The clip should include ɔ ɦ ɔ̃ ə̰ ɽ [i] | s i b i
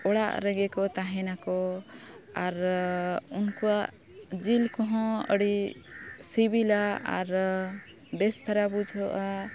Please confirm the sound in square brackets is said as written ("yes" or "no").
yes